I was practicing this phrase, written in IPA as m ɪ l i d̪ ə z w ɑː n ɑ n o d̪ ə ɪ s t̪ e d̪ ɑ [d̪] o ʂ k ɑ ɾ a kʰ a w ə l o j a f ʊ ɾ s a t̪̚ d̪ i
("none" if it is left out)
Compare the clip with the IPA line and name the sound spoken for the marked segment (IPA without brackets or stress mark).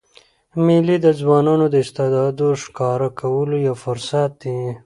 d̪